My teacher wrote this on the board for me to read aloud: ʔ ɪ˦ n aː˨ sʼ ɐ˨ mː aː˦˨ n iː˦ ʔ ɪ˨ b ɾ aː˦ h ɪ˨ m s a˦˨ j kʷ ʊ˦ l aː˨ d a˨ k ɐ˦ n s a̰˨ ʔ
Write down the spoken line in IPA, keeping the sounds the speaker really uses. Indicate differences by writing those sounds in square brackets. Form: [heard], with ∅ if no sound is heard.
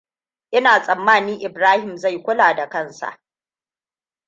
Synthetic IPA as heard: ʔ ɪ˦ n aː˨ sʼ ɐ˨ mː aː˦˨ n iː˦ ʔ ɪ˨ b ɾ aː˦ h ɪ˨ m [z] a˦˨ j kʷ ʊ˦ l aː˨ d a˨ k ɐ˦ n s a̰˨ ʔ